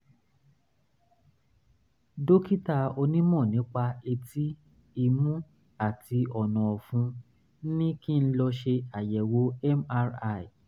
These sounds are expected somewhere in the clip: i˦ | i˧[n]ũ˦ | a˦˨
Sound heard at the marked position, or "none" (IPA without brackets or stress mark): m